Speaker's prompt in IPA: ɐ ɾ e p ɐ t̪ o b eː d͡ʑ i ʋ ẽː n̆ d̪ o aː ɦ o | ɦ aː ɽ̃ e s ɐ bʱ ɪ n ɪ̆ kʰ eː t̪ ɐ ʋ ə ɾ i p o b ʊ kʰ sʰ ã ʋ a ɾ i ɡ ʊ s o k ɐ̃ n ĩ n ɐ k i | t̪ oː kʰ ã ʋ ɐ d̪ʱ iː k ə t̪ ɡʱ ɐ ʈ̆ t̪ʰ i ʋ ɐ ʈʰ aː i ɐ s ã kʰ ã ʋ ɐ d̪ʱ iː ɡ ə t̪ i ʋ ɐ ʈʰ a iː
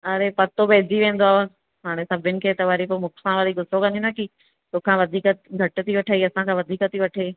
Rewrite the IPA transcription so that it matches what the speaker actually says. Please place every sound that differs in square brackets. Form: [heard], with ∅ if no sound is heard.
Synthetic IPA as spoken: ɐ ɾ e p ɐ t̪ o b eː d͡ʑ i ʋ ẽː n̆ d̪ o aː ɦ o | ɦ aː ɽ̃ e s ɐ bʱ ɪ n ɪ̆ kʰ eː t̪ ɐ ʋ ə ɾ i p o [m] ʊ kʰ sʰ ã ʋ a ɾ i ɡ ʊ s o k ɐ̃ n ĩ n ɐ k i | t̪ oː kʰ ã ʋ ɐ d̪ʱ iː k ə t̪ ɡʱ ɐ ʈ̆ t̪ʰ i ʋ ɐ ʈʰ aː i ɐ s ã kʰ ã ʋ ɐ d̪ʱ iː [k] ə t̪ i ʋ ɐ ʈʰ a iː